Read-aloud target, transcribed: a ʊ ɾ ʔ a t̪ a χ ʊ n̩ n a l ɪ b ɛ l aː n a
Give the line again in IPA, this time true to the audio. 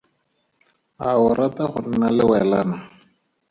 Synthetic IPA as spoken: a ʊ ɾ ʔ a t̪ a χ ʊ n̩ n a l ɪ w ɛ l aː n a